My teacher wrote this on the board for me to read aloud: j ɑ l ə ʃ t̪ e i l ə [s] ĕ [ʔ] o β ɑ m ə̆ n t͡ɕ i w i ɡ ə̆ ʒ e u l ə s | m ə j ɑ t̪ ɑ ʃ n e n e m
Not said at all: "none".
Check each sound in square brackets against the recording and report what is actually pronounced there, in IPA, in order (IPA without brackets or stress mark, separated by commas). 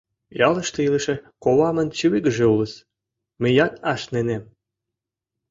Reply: ʃ, k